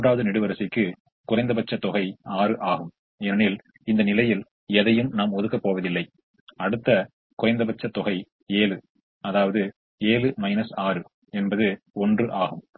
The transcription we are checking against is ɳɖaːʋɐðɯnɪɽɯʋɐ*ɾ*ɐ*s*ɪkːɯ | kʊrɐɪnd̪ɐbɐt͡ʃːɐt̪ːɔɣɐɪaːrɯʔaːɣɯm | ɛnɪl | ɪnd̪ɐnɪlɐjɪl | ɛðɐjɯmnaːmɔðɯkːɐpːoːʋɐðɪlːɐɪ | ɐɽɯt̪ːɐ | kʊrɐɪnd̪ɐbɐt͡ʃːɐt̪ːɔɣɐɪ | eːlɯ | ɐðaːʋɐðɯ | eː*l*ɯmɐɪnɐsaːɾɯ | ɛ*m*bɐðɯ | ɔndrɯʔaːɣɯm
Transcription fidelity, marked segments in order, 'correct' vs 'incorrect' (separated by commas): correct, correct, correct, incorrect